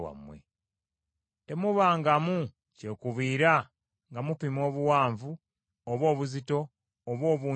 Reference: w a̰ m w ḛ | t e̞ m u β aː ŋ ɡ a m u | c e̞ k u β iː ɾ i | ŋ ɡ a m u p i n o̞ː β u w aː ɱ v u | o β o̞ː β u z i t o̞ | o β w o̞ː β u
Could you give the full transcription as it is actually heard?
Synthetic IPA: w a̰ m w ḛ | t e̞ m u β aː ŋ ɡ a m u | c e̞ k u β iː ɾ a | ŋ ɡ a m u p i m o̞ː β u w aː ɱ v u | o β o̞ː β u z i t o̞ | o β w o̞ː β u